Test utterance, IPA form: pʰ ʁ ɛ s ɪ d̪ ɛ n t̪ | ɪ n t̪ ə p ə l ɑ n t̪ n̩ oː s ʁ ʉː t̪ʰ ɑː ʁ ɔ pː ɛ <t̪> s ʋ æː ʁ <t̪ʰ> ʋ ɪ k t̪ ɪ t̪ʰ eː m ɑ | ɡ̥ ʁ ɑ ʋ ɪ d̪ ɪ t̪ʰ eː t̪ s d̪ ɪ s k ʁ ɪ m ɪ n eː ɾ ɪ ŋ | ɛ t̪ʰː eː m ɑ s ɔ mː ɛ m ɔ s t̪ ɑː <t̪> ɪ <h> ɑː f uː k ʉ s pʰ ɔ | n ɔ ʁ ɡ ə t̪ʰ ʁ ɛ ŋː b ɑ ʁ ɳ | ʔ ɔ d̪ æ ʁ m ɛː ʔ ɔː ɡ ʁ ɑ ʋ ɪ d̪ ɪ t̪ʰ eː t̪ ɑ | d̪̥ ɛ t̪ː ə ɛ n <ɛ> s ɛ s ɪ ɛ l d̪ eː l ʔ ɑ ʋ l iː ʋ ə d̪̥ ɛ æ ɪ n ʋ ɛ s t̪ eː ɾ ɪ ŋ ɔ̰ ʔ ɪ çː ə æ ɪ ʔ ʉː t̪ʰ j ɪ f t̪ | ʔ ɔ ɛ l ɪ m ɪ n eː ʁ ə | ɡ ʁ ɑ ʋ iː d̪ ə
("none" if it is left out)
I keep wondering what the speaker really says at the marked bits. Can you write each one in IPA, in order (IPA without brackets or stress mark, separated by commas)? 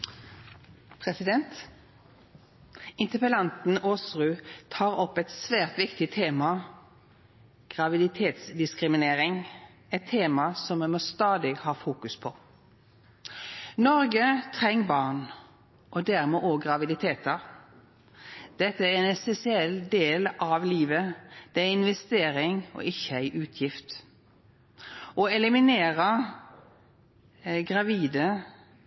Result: t̪, t̪, d̪, h, ɛ